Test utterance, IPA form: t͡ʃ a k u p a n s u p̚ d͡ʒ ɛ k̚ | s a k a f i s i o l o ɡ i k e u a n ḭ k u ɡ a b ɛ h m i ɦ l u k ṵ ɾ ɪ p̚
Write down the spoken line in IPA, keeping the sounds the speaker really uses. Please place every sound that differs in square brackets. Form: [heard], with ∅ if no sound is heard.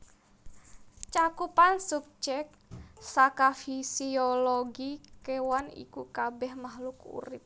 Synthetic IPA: t͡ʃ a k u p a n s u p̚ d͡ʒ ɛ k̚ | s a k a f i s i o l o ɡ i k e [w] a n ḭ k u [k] a b ɛ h m [a] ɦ l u k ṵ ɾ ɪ p̚